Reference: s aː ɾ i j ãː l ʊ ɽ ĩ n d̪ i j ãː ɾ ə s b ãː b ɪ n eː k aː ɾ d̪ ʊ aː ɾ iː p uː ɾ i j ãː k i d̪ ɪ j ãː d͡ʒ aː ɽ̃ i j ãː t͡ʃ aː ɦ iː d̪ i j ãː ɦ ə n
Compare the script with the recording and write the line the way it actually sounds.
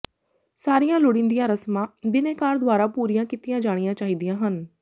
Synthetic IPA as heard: s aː ɾ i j ãː l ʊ ɽ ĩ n d̪ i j ãː ɾ ə s m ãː b ɪ n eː k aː ɾ d̪ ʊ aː ɾ aː p uː ɾ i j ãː k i t̪ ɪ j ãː d͡ʒ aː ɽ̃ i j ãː t͡ʃ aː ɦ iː d̪ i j ãː ɦ ə n